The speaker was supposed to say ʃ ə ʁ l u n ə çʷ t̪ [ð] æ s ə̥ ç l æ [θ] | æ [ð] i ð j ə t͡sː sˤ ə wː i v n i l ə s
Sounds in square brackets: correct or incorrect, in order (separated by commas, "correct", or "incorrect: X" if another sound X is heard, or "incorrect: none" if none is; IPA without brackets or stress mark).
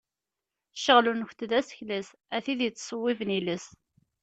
correct, incorrect: s, incorrect: θ